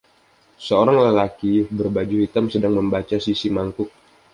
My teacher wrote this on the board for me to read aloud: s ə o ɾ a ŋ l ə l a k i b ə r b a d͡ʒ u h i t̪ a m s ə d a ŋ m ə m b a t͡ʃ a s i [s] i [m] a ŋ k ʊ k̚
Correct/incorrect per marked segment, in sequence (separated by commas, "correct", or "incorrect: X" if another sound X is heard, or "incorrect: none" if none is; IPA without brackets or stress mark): correct, correct